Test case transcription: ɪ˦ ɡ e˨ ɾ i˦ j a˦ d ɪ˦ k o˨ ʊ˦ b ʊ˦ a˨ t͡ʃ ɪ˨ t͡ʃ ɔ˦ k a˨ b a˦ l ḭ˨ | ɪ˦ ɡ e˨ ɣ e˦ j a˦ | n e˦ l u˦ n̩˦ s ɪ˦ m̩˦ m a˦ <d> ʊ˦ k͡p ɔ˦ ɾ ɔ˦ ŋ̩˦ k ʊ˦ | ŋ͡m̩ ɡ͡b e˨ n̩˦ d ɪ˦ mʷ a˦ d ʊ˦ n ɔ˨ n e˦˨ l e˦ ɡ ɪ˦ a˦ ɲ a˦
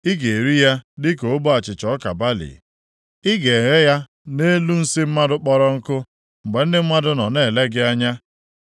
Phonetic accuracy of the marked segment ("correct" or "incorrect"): correct